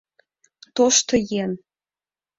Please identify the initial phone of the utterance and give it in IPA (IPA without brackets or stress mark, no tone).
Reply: t̪